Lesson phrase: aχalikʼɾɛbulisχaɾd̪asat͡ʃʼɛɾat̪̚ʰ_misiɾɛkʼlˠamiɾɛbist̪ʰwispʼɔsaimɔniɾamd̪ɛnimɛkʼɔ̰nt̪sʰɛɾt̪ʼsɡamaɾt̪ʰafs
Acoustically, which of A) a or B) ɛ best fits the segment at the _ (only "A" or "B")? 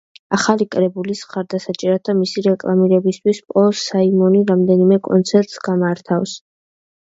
A